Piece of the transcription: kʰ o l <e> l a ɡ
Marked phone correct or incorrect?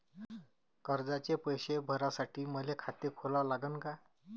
incorrect: a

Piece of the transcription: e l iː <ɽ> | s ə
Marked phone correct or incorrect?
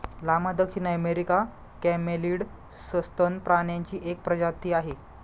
correct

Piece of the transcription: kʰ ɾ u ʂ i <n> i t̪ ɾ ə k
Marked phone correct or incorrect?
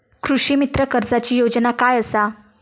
incorrect: m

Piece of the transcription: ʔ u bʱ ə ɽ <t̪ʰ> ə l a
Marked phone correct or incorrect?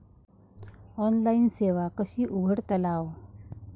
incorrect: t̪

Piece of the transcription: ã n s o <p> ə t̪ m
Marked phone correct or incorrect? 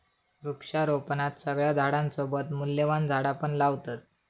incorrect: b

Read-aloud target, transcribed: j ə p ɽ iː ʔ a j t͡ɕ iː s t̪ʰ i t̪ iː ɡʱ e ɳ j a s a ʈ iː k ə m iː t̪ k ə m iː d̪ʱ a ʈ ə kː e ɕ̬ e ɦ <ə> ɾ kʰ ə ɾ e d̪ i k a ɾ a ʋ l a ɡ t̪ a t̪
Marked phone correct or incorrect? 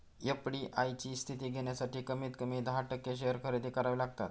correct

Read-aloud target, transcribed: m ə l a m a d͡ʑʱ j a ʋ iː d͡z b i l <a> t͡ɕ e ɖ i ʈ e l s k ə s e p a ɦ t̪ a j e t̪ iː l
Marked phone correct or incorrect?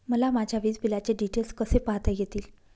correct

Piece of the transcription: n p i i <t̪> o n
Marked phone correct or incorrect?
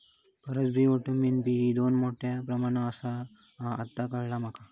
incorrect: d̪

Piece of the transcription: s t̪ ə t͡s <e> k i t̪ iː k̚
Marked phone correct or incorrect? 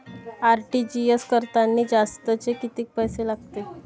correct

